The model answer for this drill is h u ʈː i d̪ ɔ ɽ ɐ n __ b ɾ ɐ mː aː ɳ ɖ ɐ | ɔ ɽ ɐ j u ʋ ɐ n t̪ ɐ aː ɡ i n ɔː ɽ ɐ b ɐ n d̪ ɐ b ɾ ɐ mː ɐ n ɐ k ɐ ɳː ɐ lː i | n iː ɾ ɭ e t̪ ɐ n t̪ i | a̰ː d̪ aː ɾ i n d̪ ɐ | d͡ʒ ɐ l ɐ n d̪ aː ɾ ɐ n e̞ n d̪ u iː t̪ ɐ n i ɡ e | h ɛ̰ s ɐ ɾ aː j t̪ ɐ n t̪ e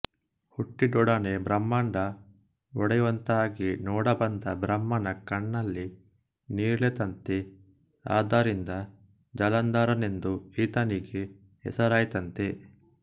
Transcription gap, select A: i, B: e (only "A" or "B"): B